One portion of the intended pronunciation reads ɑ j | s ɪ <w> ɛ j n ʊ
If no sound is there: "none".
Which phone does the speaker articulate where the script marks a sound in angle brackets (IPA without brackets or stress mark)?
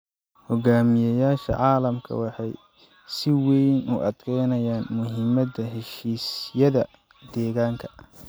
w